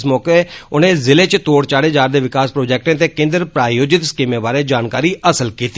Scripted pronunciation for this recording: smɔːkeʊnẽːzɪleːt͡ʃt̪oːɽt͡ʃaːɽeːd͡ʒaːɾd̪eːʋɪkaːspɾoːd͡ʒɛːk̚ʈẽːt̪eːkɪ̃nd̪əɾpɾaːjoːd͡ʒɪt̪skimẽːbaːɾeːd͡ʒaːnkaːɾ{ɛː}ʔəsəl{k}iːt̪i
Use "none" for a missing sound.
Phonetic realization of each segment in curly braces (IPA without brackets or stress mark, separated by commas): iː, k